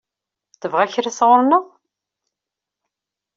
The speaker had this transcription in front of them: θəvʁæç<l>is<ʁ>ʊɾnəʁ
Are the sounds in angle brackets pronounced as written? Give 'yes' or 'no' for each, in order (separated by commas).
no, yes